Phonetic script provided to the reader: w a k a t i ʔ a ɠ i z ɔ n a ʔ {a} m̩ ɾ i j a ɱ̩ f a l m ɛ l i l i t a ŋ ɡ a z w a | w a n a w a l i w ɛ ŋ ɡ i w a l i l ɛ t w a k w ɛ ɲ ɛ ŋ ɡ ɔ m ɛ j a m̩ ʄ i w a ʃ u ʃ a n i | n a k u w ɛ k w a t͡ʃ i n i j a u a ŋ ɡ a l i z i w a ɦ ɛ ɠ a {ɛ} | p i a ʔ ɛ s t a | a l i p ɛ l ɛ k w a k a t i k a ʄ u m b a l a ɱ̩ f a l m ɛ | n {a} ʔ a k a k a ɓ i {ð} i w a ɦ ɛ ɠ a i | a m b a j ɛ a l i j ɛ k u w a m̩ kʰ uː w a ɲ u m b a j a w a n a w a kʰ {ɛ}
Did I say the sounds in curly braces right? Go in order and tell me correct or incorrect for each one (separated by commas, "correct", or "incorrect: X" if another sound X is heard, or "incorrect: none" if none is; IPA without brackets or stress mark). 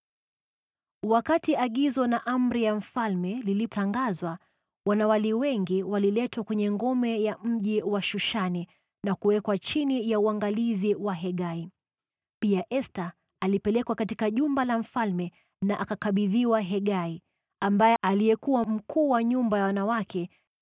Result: correct, incorrect: i, correct, correct, correct